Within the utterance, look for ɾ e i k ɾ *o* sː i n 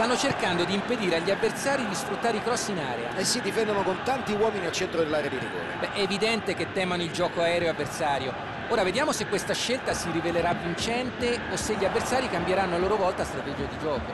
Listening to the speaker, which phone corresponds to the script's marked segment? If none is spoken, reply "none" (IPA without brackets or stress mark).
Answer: ɔ